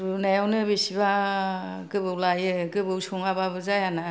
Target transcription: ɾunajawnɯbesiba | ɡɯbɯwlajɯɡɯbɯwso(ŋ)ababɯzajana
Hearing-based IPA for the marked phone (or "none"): ŋ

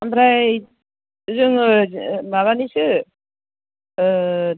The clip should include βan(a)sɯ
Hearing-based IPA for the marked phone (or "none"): i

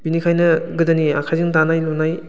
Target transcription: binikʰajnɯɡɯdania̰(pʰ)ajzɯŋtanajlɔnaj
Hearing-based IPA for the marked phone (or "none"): kʰ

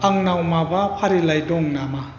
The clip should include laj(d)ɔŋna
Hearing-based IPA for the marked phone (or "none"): d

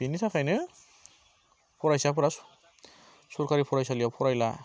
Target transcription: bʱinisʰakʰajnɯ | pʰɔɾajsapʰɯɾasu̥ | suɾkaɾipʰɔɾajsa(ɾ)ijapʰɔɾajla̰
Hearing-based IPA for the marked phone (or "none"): l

